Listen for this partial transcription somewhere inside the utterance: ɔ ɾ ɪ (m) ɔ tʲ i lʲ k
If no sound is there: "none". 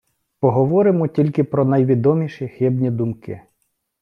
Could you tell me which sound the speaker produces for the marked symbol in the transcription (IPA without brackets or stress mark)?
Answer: m